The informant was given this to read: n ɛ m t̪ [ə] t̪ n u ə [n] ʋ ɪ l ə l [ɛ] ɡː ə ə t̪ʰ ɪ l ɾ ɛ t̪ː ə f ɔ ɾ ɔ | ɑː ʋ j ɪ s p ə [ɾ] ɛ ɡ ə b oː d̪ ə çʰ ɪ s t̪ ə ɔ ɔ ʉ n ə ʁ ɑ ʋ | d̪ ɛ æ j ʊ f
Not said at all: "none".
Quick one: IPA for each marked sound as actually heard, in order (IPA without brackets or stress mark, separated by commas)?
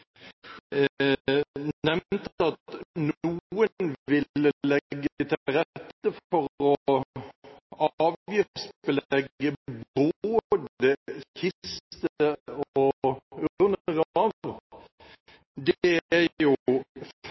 ɑ, n, ɛ, l